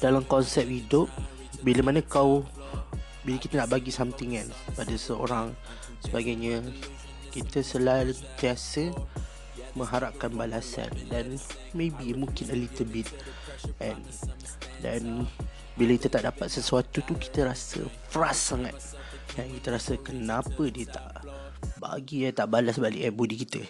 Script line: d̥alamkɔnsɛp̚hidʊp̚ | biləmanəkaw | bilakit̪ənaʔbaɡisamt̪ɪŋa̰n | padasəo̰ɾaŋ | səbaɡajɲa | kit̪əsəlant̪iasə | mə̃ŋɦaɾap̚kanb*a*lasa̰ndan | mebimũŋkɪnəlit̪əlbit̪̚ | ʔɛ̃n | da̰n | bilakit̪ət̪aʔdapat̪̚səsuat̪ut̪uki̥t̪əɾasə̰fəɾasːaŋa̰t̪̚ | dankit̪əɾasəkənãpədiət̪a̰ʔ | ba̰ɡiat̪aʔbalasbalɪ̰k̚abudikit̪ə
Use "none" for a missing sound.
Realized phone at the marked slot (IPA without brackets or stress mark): a